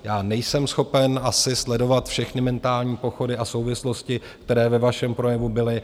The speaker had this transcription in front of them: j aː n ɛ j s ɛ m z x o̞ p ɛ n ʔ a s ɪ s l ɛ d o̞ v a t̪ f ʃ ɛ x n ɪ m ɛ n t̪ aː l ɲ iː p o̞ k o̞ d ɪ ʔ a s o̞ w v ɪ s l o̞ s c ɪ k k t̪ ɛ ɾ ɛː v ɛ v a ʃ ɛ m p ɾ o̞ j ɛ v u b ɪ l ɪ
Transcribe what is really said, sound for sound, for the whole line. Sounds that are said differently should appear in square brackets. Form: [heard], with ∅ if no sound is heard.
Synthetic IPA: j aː n ɛ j s ɛ m [s] x o̞ p ɛ n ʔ a s ɪ s l ɛ d o̞ v a t̪ f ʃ ɛ x n ɪ m ɛ n t̪ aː l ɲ iː p o̞ [x] o̞ d ɪ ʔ a s o̞ w v ɪ s l o̞ s c ɪ k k t̪ ɛ ɾ ɛː v ɛ v a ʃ ɛ m p ɾ o̞ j ɛ v u b ɪ l ɪ